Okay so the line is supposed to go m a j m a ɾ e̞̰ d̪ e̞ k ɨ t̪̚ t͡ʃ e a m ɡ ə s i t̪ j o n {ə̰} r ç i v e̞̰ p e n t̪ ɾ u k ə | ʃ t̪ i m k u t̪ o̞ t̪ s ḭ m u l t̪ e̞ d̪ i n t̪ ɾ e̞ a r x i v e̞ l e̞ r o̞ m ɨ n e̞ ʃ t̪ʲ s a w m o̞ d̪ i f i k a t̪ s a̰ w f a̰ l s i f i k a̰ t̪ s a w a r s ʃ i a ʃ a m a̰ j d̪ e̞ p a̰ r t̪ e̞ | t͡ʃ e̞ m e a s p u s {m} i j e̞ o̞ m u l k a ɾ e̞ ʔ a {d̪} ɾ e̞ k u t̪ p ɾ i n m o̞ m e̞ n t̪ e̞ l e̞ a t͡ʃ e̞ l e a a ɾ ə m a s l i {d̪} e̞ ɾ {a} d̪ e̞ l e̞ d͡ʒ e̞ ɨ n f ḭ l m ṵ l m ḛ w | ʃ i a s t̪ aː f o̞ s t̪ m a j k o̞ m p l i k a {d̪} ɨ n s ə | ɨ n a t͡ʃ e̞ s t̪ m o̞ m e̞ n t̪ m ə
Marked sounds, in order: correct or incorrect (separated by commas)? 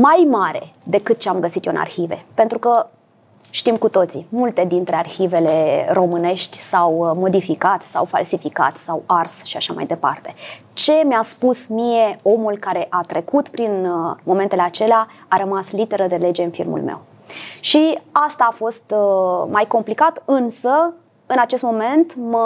incorrect, correct, incorrect, incorrect, incorrect, incorrect